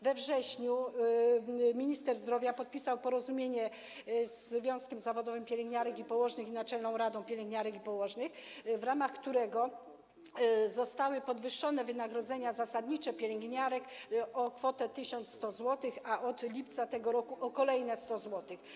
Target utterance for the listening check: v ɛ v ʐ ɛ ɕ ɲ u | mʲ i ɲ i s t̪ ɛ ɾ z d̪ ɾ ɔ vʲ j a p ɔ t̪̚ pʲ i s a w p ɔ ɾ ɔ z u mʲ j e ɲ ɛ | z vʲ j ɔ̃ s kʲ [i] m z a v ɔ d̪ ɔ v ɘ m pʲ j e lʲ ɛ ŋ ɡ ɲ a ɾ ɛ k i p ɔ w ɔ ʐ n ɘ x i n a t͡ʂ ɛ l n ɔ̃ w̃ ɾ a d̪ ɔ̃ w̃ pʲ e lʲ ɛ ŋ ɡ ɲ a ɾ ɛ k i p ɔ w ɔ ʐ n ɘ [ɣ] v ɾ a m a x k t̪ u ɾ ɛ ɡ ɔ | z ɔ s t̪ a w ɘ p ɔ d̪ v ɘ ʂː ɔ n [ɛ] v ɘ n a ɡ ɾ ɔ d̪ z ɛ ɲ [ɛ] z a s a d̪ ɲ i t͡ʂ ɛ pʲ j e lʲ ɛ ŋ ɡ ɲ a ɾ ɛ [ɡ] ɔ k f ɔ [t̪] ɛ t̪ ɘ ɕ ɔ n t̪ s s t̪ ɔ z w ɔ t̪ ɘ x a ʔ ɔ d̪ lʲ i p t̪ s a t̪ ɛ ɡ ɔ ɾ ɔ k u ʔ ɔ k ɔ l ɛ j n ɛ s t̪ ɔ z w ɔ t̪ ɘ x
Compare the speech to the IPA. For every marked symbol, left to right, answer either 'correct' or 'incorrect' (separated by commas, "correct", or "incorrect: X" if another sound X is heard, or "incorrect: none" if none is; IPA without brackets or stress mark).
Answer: incorrect: ɛ, incorrect: x, correct, incorrect: a, incorrect: k, correct